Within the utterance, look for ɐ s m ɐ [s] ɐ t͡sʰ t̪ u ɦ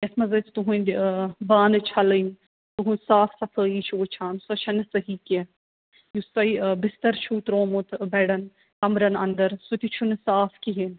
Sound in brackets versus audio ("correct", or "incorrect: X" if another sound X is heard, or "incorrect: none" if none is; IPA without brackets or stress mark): incorrect: z